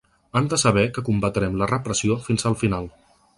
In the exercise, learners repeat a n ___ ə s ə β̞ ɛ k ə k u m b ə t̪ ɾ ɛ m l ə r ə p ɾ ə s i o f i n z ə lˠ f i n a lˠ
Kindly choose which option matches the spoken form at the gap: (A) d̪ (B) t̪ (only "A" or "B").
A